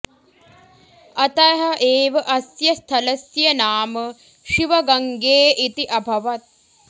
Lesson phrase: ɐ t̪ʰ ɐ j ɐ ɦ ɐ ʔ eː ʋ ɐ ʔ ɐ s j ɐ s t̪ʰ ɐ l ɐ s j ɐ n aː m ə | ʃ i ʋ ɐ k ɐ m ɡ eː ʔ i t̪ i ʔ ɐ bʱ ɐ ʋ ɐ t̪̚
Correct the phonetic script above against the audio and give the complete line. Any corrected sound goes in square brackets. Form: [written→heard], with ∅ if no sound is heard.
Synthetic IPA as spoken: ɐ [t̪ʰ→t̪] ɐ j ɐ ɦ ɐ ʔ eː ʋ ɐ ʔ ɐ s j ɐ s t̪ʰ ɐ l ɐ s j ɐ n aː m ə | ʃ i ʋ ɐ [k→ɡ] ɐ [m→ŋ] ɡ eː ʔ i t̪ i ʔ ɐ bʱ ɐ ʋ ɐ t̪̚